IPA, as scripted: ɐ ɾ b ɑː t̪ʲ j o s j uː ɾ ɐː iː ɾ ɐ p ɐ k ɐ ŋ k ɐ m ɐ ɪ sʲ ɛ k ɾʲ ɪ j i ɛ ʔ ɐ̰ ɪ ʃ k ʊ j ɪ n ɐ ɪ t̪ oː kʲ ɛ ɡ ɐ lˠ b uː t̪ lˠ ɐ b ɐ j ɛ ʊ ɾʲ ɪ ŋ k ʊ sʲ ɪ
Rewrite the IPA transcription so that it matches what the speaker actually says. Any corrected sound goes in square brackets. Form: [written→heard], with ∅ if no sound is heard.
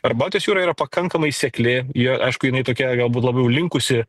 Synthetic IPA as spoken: ɐ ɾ b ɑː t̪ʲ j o s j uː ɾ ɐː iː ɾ ɐ p ɐ k ɐ ŋ k ɐ m ɐ ɪ sʲ ɛ k [ɾʲ→lʲ] ɪ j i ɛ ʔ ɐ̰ ɪ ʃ k ʊ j ɪ n ɐ ɪ t̪ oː kʲ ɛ ɡ ɐ lˠ b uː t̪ lˠ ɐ b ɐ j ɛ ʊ [ɾʲ→lʲ] ɪ ŋ k ʊ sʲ ɪ